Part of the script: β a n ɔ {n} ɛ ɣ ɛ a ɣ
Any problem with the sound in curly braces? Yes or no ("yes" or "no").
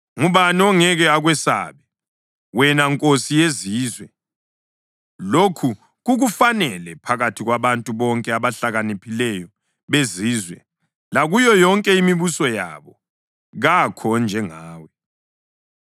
yes